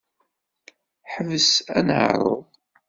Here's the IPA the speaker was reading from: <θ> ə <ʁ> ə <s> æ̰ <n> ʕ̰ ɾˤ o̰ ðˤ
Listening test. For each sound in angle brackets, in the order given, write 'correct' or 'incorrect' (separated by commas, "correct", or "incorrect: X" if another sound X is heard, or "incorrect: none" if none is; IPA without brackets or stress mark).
incorrect: ħ, incorrect: v, correct, correct